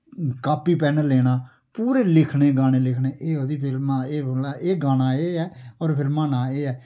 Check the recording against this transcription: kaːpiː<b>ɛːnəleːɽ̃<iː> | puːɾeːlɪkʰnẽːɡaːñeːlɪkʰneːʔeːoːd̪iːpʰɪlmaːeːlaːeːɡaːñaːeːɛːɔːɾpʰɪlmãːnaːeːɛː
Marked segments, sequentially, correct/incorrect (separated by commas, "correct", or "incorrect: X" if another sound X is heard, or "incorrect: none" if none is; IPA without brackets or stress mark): incorrect: p, incorrect: aː